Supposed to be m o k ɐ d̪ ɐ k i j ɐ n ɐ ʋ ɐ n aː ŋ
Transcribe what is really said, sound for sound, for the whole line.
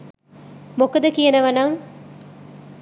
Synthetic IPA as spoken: m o k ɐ d̪ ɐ k i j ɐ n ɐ ʋ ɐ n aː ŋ